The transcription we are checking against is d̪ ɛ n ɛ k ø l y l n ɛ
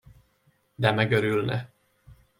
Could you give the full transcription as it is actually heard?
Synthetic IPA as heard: d̪ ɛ m ɛ ɡ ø ɾ y l n ɛ

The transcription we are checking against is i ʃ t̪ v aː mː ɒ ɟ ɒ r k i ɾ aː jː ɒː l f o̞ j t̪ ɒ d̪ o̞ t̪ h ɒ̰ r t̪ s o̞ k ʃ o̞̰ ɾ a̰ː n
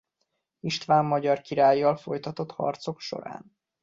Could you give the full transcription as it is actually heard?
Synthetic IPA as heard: i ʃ t̪ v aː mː ɒ ɟ ɒ r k i ɾ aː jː ɒ l f o̞ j t̪ ɒ t̪ o̞ t̪ h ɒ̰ r t̪ s o̞ k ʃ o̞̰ ɾ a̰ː n

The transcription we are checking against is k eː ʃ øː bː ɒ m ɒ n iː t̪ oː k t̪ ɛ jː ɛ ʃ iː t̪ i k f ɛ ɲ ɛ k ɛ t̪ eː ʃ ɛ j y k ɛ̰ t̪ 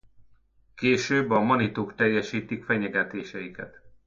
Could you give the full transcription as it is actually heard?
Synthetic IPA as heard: k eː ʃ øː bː ɒ m ɒ n i t̪ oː k t̪ ɛ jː ɛ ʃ iː t̪ i k f ɛ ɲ ɛ ɡ ɛ t̪ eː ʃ ɛ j i k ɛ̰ t̪

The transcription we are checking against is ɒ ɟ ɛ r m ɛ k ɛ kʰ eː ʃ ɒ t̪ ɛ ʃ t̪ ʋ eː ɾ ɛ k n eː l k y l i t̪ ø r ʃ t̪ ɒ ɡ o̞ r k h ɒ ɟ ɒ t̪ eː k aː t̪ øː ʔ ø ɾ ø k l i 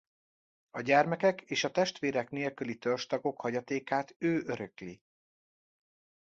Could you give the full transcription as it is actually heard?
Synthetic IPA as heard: ɒ ɟ ɛ r m ɛ k ɛ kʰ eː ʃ ɒ t̪ ɛ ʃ t̪ ʋ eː ɾ ɛ k n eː l k y l i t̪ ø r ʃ t̪ ɒ ɡ o̞ k h ɒ ɟ ɒ t̪ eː k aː t̪ øː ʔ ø ɾ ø k l i

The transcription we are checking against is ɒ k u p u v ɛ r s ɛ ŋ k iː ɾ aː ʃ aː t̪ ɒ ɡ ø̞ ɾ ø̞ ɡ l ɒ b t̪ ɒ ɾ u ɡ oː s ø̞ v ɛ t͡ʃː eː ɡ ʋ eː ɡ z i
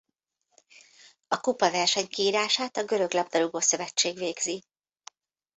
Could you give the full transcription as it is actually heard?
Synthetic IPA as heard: ɒ k u p ɒ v ɛ r ʃ ɛ ɲ k iː ɾ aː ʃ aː t̪ ɒ ɡ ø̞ ɾ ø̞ ɡ l ɒ b d̪ ɒ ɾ u ɡ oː s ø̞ v ɛ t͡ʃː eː ɡ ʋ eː ɡ z i

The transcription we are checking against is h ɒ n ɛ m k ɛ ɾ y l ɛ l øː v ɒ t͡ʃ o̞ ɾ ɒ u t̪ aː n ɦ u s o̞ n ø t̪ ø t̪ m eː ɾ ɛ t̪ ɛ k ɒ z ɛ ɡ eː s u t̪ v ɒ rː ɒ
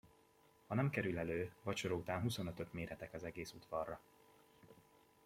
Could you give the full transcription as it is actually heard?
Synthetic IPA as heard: h ɒ n ɛ m k ɛ ɾ y l ɛ l øː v ɒ t͡ʃ o̞ ɾ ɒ u t̪ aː n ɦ u s o̞ n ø t̪ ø t̪ m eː ɾ ɛ t̪ ɛ k ɒ z ɛ ɡ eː s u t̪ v ɒ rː ɒ

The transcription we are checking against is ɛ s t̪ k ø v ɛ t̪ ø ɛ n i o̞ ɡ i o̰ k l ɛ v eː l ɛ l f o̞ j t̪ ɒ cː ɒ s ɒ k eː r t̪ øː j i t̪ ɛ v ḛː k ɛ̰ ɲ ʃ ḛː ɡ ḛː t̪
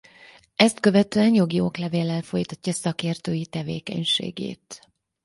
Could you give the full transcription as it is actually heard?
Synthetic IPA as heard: ɛ s t̪ k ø v ɛ t̪ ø ɛ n j o̞ ɡ i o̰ k l ɛ v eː l ɛ l f o̞ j t̪ ɒ cː ɒ s ɒ k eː r t̪ øː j i t̪ ɛ v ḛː k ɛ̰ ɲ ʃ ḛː ɡ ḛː t̪

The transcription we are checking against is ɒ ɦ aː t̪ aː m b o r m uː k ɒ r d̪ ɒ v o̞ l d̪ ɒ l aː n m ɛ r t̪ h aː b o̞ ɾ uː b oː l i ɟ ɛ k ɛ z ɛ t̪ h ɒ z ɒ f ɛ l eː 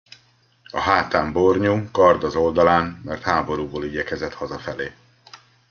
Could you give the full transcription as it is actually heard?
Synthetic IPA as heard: ɒ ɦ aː t̪ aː m b o r ɲ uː k ɒ r d̪ ɒ z o̞ l d̪ ɒ l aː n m ɛ r t̪ h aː b o̞ ɾ uː b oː l i ɟ ɛ k ɛ z ɛ t̪ h ɒ z ɒ f ɛ l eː

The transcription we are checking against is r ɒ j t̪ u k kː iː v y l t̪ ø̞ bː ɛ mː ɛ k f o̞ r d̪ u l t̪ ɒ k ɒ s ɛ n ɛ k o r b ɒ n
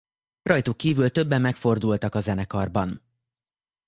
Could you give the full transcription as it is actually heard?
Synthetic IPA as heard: r ɒ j t̪ u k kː iː v y l t̪ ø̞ bː ɛ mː ɛ k f o̞ r d̪ u l t̪ ɒ k ɒ z ɛ n ɛ k ɒ r b ɒ n

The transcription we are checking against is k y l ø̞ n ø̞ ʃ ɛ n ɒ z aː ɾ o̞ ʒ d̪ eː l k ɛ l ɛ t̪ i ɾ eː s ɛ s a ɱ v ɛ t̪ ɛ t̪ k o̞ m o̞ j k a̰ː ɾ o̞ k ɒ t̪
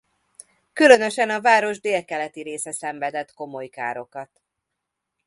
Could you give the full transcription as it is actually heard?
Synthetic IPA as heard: k y l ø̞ n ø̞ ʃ ɛ n ɒ v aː ɾ o̞ ʒ d̪ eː l k ɛ l ɛ t̪ i ɾ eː s ɛ s ɛ ɱ v ɛ d̪ ɛ t̪ k o̞ m o̞ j k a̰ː ɾ o̞ k ɒ t̪

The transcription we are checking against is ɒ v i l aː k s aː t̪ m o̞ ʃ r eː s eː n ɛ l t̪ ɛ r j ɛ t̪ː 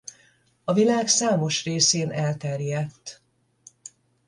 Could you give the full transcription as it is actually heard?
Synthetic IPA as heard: ɒ v i l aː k s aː m o̞ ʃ r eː s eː n ɛ l t̪ ɛ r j ɛ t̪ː

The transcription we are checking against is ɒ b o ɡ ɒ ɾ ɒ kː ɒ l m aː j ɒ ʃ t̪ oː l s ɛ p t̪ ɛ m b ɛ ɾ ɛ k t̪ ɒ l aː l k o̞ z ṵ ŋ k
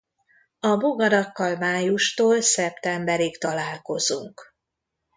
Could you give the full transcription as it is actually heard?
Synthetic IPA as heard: ɒ b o ɡ ɒ ɾ ɒ kː ɒ l m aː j u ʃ t̪ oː l s ɛ p t̪ ɛ m b ɛ ɾ i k t̪ ɒ l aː l k o̞ z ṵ ŋ k

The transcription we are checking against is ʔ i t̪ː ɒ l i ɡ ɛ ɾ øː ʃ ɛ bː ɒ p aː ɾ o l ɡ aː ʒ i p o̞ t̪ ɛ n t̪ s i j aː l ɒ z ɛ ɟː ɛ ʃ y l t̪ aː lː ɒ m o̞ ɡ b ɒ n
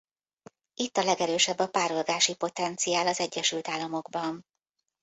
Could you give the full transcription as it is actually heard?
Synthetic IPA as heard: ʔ i t̪ː ɒ l ɛ ɡ ɛ ɾ øː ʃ ɛ bː ɒ p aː ɾ o l ɡ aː ʃ i p o̞ t̪ ɛ n t̪ s i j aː l ɒ z ɛ ɟː ɛ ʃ y l t̪ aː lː ɒ m o̞ ɡ b ɒ n

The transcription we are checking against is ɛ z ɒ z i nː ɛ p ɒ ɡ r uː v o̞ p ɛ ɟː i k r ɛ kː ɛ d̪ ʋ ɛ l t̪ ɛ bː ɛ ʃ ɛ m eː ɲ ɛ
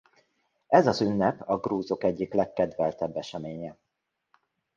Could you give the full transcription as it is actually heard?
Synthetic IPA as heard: ɛ z ɒ z y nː ɛ p ɒ ɡ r uː z o̞ k ɛ ɟː i k l ɛ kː ɛ d̪ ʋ ɛ l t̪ ɛ bː ɛ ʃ ɛ m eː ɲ ɛ

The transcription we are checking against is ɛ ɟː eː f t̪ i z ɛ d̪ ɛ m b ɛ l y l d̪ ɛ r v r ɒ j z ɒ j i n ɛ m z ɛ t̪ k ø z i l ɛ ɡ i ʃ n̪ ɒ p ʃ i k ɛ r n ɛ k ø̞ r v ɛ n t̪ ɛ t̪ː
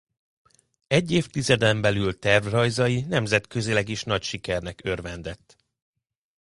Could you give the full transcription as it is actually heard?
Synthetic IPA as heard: ɛ ɟː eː f t̪ i z ɛ d̪ ɛ m b ɛ l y l t̪ ɛ r v r ɒ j z ɒ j i n ɛ m z ɛ t̪ k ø z i l ɛ ɡ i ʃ n̪ ɒ c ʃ i k ɛ r n ɛ k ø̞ r v ɛ n d̪ ɛ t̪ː

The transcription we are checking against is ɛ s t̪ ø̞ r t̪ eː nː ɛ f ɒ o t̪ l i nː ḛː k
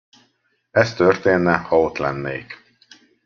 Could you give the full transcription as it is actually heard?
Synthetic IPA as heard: ɛ s t̪ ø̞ r t̪ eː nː ɛ h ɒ o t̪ l ɛ nː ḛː k

